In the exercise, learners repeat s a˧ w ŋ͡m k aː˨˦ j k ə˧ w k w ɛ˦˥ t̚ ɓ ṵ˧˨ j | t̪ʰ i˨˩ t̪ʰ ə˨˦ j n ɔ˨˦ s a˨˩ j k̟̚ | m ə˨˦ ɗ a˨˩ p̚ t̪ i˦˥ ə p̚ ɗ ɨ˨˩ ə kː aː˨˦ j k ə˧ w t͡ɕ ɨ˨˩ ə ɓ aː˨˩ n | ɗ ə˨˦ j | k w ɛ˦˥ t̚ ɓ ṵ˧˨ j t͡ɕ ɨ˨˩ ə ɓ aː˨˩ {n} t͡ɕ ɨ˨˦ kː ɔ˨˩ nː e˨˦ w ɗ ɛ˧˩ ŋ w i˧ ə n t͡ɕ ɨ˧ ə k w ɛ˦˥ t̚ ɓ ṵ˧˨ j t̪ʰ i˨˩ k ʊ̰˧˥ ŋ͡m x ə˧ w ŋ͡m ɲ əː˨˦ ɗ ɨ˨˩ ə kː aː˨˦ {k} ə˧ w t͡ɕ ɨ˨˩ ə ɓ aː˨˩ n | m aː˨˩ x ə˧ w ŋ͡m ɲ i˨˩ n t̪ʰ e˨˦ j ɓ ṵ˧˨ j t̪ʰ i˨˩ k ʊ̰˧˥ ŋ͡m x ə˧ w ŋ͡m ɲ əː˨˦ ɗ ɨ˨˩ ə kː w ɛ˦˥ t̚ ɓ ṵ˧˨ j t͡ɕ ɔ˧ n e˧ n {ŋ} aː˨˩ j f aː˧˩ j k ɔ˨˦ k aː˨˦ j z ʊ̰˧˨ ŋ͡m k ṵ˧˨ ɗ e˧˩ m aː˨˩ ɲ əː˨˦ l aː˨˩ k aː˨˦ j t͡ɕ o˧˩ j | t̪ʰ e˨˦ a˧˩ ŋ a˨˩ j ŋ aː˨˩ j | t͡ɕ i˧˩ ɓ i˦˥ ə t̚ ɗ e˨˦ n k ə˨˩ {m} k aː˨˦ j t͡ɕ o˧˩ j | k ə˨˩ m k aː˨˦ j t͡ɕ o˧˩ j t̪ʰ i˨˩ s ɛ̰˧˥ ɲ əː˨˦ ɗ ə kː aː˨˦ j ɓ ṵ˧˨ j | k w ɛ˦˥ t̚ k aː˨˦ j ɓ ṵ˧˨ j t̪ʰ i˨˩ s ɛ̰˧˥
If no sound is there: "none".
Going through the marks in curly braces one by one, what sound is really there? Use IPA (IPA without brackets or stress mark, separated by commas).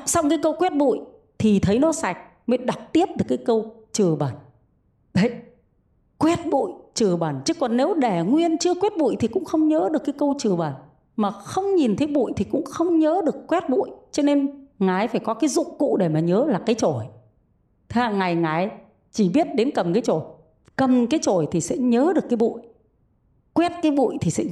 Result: n, k, ŋ, m